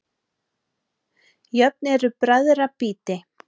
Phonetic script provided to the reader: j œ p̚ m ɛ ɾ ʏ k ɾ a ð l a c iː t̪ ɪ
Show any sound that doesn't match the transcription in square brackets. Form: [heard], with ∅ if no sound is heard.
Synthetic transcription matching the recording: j œ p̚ [n] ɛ ɾ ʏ [p] ɾ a ð [ɾ] a [p] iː t̪ ɪ